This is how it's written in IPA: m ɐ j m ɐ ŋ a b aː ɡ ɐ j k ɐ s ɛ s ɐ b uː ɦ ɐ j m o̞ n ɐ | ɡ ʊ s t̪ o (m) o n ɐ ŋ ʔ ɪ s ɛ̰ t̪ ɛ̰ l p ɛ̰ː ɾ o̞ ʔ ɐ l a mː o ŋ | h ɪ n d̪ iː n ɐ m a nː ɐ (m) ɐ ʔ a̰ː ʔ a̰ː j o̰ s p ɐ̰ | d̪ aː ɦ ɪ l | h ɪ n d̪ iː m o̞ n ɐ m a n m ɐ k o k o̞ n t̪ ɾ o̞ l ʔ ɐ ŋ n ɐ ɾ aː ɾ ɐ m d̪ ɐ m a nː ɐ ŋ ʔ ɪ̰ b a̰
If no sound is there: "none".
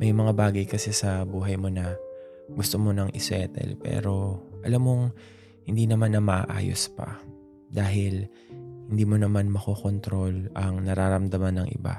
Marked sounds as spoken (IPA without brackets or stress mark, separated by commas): m, m